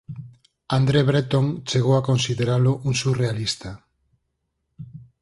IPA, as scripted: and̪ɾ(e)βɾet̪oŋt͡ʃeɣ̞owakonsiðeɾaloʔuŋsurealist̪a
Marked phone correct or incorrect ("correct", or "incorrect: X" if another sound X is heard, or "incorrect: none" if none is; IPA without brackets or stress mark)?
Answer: correct